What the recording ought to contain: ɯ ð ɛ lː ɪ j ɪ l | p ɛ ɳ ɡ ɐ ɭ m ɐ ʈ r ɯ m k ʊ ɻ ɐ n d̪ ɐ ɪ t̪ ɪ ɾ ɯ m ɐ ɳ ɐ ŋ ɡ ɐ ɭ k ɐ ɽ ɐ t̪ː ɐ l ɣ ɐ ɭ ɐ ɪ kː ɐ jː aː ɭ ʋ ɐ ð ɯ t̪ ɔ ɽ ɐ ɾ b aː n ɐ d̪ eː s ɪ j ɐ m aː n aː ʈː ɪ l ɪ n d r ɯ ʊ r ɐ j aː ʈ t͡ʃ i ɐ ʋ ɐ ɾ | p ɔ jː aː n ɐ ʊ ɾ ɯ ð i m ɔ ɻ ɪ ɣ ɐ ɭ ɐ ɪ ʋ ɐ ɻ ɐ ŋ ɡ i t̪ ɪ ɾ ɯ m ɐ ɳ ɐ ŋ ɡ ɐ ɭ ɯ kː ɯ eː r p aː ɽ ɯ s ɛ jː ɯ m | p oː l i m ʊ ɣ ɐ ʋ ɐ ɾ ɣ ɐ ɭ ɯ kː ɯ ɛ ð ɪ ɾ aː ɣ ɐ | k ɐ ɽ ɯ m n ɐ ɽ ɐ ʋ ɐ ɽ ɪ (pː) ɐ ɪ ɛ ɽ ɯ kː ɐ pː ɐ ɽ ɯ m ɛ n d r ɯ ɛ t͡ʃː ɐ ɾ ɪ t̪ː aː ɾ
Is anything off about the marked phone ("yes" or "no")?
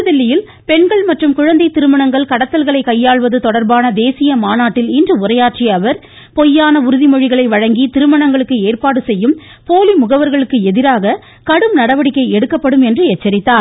yes